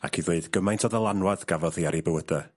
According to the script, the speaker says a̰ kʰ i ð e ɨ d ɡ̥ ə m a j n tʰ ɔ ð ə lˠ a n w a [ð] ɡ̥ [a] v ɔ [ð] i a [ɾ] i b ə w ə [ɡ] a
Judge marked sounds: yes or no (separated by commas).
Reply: yes, yes, yes, yes, no